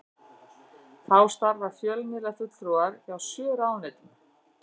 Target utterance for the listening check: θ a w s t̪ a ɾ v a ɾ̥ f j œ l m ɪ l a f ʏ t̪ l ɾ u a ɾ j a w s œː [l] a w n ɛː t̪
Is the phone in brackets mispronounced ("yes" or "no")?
yes